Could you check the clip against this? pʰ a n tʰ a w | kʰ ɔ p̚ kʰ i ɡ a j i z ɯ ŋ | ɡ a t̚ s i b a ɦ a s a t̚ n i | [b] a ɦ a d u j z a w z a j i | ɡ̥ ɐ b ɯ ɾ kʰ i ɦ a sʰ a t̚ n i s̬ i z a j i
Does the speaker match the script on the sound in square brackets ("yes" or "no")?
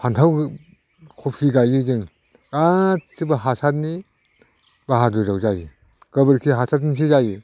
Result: yes